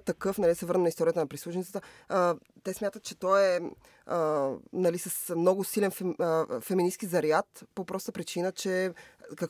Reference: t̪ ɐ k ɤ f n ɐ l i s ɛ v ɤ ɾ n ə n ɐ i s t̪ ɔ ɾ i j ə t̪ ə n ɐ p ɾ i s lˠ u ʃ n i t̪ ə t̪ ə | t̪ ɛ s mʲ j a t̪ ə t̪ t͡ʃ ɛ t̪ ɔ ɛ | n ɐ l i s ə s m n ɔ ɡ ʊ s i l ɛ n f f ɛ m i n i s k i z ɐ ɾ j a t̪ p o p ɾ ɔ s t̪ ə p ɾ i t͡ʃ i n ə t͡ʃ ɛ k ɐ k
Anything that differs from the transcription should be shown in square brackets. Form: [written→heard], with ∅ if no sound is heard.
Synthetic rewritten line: t̪ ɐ k ɤ f n ɐ l i s ɛ v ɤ ɾ n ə n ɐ i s t̪ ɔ ɾ i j ə t̪ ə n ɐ p ɾ i s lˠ u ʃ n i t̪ ə t̪ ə | t̪ ɛ s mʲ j a t̪ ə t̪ t͡ʃ ɛ t̪ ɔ ɛ | n ɐ l i s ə s m n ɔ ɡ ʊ s i l ɛ n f f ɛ m i n i s k i z ɐ ɾ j a t̪ p o p ɾ ɔ s t̪ ə p ɾ i t͡ʃ i n ə t͡ʃ ɛ k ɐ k